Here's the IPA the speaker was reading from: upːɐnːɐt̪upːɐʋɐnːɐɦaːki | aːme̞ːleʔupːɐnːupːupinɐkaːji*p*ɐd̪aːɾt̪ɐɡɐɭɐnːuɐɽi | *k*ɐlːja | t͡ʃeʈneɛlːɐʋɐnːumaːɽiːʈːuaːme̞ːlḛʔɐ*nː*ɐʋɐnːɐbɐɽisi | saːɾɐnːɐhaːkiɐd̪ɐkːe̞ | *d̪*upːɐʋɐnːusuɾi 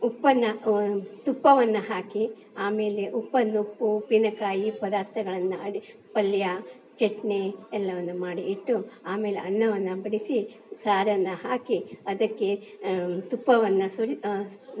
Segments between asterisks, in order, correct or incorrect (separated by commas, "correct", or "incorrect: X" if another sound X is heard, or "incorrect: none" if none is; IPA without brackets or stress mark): correct, incorrect: p, correct, incorrect: t̪